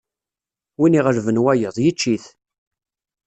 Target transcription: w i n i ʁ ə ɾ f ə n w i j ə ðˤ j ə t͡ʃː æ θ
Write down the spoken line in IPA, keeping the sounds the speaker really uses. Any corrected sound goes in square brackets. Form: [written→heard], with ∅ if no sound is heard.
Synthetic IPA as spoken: w i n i ʁ ə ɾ [f→v] ə n w [i→æ] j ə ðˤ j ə t͡ʃː [æ→i] θ